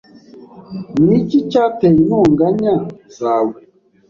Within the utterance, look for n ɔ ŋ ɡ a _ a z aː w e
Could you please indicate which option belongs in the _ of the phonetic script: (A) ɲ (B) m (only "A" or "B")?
A